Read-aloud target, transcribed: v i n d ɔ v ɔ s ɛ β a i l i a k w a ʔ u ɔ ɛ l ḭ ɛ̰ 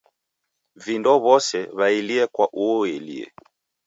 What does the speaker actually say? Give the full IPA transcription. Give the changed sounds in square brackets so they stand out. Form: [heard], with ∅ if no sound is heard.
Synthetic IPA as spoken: v i n d ɔ [β] ɔ s ɛ β a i l i [ɛ] k w a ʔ u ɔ ɛ l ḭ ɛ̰